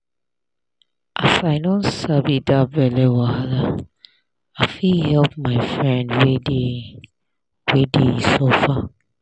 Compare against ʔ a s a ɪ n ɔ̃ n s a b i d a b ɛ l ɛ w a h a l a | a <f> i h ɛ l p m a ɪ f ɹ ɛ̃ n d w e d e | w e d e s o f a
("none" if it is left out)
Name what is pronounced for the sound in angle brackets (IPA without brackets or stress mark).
f